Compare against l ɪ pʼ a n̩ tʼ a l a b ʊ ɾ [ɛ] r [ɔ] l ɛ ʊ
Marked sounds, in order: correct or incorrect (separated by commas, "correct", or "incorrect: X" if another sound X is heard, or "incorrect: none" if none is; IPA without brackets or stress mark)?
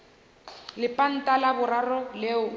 incorrect: a, correct